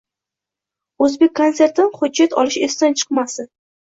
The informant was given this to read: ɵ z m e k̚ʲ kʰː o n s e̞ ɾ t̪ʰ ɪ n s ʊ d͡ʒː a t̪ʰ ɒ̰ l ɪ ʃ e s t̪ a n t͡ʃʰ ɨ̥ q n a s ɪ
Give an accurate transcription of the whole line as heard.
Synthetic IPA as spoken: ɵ z b e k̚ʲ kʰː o n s e̞ ɾ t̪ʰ ɪ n χ ʊ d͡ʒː a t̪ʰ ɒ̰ l ɪ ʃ e s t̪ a n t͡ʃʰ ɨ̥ q m a s ɪ